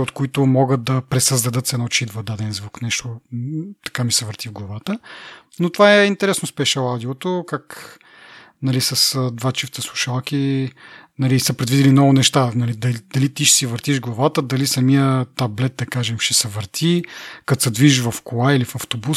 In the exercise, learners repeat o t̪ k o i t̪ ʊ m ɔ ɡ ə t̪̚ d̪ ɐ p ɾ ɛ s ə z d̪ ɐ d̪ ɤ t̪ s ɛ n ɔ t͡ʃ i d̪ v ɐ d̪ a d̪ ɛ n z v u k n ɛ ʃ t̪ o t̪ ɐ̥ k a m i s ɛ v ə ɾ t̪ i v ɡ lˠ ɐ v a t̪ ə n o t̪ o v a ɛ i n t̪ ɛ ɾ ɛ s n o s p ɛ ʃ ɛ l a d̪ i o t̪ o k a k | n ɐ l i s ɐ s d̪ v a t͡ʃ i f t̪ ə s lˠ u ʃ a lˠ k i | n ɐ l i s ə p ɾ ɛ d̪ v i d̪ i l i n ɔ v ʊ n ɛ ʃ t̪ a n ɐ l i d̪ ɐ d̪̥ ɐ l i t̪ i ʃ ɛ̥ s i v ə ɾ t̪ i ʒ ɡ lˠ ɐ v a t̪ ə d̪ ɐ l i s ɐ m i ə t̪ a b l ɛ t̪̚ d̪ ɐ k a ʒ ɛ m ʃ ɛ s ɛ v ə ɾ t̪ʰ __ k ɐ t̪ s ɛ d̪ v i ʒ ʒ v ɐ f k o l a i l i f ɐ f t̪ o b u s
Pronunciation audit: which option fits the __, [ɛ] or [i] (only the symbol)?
i